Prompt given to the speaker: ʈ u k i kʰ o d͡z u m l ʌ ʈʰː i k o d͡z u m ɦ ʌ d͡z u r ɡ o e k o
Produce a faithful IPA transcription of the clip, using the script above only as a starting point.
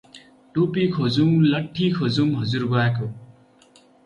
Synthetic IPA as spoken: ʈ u p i kʰ o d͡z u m l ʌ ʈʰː i kʰ o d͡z u m ɦ ʌ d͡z u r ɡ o a k o